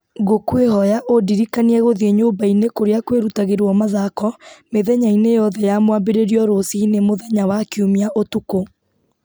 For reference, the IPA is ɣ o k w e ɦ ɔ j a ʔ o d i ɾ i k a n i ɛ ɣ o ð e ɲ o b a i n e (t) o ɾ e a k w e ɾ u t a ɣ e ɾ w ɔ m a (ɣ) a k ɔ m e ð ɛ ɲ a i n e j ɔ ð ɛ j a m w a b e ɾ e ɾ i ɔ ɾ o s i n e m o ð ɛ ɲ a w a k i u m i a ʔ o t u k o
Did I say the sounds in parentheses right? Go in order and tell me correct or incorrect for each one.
incorrect, incorrect

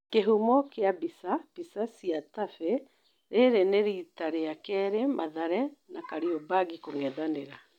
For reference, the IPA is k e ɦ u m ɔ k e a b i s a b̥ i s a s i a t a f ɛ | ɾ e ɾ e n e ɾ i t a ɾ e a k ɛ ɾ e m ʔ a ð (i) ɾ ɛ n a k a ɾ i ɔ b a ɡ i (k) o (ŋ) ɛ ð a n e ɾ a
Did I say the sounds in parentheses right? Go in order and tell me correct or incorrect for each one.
incorrect, correct, correct

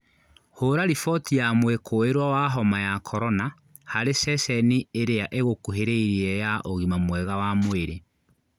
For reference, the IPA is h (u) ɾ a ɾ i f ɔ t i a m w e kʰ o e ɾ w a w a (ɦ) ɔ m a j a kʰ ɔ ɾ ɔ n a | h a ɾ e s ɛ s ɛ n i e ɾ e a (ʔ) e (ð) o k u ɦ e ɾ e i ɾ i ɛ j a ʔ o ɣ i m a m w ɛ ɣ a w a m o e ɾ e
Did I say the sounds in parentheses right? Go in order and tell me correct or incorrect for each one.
incorrect, correct, correct, incorrect

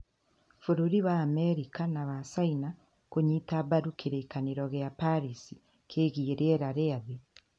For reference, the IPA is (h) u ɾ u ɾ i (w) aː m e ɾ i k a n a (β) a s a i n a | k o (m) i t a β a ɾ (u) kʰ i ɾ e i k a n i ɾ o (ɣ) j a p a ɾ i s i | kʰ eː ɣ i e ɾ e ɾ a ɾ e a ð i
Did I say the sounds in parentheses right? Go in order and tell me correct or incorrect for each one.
incorrect, incorrect, correct, incorrect, correct, correct

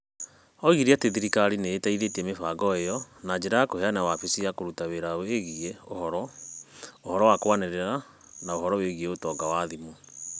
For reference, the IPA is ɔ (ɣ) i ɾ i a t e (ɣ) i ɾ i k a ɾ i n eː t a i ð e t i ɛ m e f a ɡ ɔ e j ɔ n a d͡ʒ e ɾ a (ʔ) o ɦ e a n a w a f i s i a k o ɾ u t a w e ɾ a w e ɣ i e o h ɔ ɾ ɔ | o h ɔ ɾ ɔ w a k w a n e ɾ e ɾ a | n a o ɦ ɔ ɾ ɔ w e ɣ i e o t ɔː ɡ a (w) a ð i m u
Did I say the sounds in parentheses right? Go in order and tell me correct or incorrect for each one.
correct, incorrect, incorrect, correct

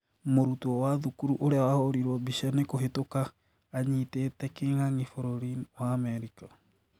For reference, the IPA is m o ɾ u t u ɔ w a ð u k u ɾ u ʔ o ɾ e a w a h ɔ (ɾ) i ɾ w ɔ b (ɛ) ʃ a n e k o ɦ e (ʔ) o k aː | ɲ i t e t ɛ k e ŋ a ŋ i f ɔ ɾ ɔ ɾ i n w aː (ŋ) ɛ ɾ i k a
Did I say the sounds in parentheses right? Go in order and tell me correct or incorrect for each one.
correct, incorrect, incorrect, incorrect

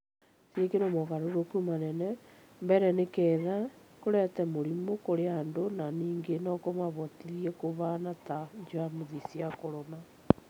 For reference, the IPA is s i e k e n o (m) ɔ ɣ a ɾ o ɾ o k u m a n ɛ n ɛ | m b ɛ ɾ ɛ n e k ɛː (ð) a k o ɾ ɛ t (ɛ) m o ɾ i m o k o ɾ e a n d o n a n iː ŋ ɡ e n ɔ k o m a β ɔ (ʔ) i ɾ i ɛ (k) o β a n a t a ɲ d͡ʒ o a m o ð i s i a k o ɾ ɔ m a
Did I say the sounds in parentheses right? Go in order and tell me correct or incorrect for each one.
correct, correct, correct, incorrect, correct

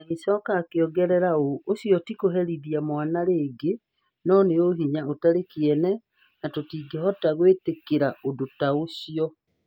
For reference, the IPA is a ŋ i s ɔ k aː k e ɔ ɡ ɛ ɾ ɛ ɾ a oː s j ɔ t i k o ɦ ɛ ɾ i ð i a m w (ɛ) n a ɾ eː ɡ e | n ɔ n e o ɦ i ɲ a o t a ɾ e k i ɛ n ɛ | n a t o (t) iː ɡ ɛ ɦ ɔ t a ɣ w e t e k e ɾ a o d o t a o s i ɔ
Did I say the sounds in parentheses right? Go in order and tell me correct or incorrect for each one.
incorrect, correct

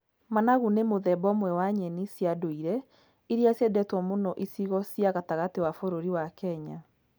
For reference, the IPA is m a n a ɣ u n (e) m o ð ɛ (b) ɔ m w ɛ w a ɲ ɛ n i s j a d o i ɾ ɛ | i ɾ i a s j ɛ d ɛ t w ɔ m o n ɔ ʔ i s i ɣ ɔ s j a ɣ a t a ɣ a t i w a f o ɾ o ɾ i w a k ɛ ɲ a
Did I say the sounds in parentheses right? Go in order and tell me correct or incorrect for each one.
correct, correct

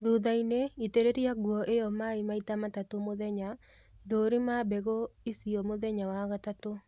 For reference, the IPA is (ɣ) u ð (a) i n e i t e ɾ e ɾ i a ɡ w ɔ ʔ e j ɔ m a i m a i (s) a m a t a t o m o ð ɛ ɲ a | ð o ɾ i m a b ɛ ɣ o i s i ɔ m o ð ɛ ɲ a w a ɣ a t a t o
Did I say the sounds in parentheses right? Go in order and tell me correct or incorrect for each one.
incorrect, correct, incorrect

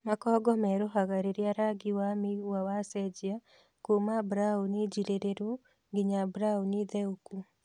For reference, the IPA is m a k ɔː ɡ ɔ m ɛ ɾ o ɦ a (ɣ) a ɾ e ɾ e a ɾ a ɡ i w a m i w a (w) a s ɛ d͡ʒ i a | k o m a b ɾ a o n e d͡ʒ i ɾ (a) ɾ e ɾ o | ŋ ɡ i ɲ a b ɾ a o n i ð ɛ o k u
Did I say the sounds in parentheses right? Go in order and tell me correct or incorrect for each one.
correct, correct, incorrect

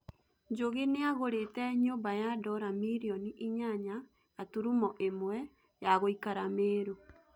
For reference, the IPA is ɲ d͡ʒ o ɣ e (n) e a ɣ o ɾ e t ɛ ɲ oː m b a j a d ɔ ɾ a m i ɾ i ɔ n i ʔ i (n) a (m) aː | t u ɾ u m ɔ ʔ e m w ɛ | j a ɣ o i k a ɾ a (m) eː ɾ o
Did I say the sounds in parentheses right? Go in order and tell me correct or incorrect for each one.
correct, incorrect, incorrect, correct

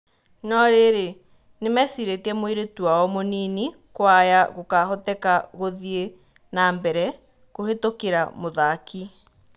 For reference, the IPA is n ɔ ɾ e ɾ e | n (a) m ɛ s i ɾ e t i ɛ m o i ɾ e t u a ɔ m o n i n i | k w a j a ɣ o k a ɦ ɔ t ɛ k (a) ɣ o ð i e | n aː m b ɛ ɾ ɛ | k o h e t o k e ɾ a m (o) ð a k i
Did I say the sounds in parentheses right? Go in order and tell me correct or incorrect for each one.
incorrect, correct, correct

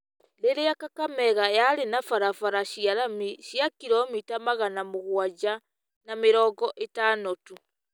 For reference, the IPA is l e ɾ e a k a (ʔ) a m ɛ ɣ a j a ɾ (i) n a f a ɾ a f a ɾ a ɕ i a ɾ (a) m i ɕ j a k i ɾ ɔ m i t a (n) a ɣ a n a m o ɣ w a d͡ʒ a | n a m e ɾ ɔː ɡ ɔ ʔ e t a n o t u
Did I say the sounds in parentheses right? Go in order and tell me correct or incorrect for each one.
incorrect, incorrect, correct, incorrect

